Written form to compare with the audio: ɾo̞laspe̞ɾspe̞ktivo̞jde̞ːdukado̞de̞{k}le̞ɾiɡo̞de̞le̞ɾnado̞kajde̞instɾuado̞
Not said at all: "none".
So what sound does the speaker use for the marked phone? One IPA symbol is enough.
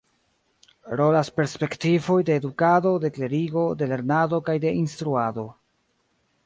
k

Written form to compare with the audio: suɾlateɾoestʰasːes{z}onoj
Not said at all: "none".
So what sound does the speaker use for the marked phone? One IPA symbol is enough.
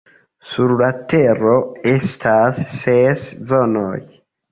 z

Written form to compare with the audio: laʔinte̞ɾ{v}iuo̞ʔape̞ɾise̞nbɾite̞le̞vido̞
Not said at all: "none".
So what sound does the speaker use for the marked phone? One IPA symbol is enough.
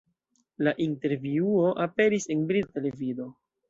v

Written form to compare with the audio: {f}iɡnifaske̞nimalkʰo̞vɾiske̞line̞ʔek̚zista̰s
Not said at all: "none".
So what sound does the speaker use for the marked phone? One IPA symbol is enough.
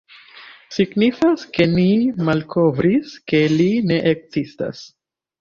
s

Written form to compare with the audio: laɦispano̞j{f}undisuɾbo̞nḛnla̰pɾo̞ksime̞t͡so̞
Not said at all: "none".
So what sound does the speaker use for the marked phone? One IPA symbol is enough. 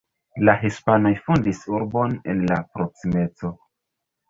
f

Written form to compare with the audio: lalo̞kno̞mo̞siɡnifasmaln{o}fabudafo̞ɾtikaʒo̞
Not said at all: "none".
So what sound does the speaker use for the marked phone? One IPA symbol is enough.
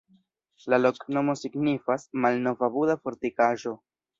o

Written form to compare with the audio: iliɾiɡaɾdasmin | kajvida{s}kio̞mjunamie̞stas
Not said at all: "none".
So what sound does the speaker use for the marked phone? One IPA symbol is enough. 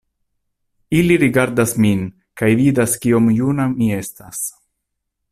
s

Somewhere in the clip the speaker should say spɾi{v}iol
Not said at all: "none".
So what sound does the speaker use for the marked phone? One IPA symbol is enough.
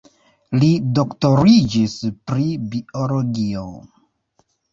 b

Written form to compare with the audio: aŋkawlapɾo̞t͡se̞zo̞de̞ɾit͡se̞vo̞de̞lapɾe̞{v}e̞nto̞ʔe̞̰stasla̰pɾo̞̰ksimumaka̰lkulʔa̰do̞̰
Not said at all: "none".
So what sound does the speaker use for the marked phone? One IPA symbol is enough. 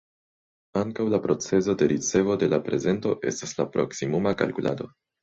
z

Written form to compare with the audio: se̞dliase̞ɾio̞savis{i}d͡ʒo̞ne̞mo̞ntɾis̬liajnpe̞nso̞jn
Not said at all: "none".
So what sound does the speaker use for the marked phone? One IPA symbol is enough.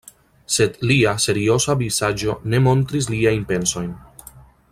a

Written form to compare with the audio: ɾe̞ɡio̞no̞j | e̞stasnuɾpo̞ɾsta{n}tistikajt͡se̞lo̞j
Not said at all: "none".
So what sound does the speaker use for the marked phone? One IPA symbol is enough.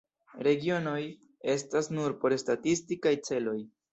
none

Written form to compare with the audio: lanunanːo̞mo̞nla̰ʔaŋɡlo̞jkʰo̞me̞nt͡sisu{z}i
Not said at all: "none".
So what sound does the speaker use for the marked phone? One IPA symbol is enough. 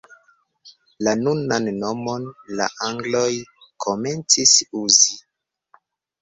z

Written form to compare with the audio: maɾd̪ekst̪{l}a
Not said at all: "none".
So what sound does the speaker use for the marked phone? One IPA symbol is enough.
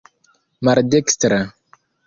ɾ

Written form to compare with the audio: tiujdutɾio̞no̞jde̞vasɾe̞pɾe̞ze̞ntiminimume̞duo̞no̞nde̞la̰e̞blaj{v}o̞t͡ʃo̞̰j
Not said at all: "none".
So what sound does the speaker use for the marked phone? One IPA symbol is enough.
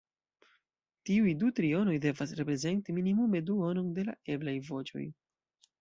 v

